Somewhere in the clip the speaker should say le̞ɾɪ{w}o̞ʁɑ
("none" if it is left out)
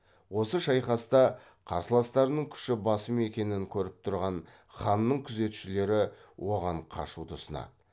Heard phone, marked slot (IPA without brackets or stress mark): w